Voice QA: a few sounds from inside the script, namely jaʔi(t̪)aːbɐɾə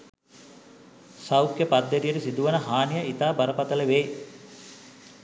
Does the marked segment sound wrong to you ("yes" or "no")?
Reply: no